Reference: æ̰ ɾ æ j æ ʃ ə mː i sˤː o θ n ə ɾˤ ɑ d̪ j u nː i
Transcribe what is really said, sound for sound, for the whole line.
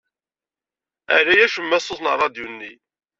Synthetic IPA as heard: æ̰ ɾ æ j æ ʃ ə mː æ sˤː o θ n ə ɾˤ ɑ d̪ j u nː i